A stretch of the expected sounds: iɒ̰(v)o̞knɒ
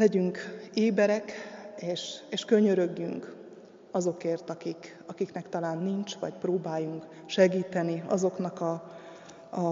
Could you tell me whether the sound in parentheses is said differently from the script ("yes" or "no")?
yes